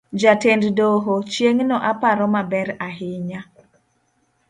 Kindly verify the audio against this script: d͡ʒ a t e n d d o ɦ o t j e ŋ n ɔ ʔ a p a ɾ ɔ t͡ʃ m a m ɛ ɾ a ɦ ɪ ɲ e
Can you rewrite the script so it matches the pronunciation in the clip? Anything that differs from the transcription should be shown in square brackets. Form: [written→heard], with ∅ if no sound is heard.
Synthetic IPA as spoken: d͡ʒ a t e n d d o ɦ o [t→t͡ʃ] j e ŋ n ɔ ʔ a p a ɾ ɔ [t͡ʃ→∅] m a [m→b] ɛ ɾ a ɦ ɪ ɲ [e→a]

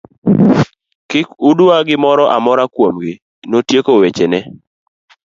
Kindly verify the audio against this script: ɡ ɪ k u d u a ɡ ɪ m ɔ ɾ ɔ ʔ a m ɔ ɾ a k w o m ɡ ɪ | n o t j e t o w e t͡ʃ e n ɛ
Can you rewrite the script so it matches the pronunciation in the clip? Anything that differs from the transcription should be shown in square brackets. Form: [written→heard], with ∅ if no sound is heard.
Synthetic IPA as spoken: [ɡ→k] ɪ k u d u a ɡ ɪ m ɔ ɾ ɔ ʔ a m ɔ ɾ a k w o m ɡ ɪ | n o t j e [t→k] o w e t͡ʃ e n ɛ

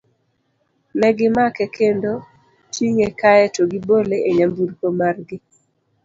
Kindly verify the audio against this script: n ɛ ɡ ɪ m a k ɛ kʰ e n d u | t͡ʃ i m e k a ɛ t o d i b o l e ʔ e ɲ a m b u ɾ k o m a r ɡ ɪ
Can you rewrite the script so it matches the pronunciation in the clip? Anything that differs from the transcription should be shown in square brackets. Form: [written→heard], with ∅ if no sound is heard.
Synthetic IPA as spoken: n ɛ ɡ ɪ m a k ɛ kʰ e n d [u→o] | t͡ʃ i [m→ŋ] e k a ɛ t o [d→ɡ] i b o l e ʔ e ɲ a m b u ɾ k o m a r ɡ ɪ

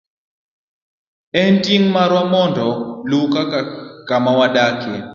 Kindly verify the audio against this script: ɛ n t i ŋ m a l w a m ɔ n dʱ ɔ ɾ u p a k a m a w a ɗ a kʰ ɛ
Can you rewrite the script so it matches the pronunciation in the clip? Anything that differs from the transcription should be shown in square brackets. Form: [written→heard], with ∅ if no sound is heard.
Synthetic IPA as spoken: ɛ n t i ŋ m a [l→ɾ] w a m ɔ n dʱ ɔ [ɾ→l] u [p→k] a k a m a w a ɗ a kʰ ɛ

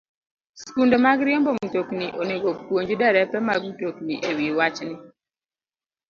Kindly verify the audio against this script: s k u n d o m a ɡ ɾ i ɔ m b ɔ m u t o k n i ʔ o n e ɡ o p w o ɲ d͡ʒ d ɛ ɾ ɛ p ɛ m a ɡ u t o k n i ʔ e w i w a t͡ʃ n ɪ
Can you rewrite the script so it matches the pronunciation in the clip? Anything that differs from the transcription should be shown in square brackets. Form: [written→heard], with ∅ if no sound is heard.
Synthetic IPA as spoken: s k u n d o m a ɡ ɾ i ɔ m b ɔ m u t o k n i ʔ o n e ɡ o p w o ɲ d͡ʒ d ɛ ɾ ɛ p ɛ m a ɡ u t o k n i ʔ e w i w a t͡ʃ n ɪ

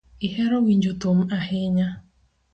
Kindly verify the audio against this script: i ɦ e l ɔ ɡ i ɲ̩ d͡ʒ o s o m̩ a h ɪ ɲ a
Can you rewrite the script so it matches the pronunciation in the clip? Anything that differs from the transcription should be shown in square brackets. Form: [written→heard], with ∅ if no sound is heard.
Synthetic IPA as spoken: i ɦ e [l→ɾ] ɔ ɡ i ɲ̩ d͡ʒ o [s→t] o m̩ a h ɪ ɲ a

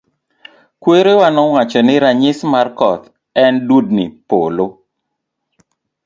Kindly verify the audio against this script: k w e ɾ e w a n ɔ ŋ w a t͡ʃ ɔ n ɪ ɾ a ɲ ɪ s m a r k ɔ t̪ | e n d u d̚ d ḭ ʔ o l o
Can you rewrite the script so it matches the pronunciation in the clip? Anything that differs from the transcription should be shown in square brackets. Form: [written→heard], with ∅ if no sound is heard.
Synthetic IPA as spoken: k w e ɾ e w a n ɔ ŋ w a t͡ʃ ɔ n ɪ ɾ a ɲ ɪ s m a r k ɔ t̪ | [e→ɛ] n d u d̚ [d→n] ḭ [ʔ→p] o l o

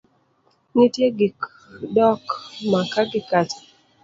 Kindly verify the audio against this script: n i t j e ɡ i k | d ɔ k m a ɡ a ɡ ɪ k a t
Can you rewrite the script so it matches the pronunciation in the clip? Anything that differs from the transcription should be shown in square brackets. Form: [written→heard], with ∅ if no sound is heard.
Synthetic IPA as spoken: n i t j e ɡ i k | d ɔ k m a [ɡ→k] a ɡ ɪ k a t

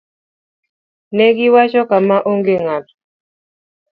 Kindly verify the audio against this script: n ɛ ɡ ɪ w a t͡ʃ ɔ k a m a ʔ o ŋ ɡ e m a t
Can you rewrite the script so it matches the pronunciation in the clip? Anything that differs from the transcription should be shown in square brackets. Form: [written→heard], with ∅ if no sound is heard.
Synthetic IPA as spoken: n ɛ ɡ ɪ w a t͡ʃ ɔ k a m a ʔ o ŋ ɡ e [m→ŋ] a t

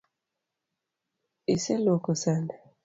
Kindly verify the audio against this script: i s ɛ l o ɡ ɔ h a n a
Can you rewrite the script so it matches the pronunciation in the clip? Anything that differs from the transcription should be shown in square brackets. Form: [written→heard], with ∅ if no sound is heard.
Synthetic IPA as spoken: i s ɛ l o [ɡ→k] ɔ [h→s] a n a

